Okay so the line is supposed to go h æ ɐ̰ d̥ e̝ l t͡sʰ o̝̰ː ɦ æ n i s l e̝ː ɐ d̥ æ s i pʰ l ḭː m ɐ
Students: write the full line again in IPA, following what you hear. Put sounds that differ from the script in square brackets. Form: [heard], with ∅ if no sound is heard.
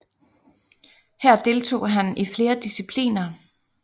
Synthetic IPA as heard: h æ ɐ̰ d̥ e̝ l t͡sʰ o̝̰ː ɦ æ n i [f] l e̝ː ɐ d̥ [i] s i pʰ l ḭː [n] ɐ